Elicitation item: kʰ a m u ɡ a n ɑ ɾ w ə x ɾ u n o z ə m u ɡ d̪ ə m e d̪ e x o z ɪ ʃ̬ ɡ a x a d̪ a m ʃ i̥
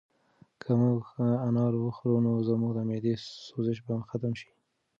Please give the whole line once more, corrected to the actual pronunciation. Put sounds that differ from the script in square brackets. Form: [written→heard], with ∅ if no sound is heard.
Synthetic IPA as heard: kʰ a m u ɡ a n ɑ ɾ w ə x ɾ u n o z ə m u ɡ d̪ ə m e d̪ e [x→s] o z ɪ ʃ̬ [ɡ→b] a x a [d̪→t̪] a m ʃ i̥